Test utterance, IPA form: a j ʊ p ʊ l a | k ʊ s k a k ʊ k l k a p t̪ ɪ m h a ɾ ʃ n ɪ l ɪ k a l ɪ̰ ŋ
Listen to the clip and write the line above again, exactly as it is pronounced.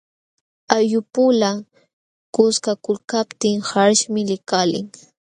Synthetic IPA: a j ʊ p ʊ l a | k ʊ s k a k ʊ l k a p t̪ ɪ ŋ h a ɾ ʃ m ɪ l ɪ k a l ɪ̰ ŋ